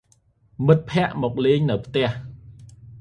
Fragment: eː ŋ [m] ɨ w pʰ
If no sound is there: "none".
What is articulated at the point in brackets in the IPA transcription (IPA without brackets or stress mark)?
n